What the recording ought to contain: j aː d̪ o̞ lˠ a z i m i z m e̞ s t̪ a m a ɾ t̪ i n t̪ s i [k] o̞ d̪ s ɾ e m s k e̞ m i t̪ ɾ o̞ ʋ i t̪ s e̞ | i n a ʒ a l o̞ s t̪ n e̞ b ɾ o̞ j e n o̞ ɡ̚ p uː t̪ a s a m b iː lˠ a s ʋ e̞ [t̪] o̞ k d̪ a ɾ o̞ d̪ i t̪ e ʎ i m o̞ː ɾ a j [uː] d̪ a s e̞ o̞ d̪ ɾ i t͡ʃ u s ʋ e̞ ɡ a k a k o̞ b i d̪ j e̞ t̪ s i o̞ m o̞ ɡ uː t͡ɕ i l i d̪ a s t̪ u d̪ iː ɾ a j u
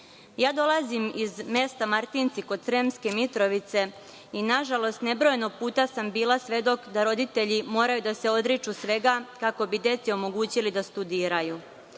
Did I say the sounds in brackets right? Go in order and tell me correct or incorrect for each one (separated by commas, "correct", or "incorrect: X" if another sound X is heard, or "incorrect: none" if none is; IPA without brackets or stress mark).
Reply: correct, incorrect: d̪, incorrect: u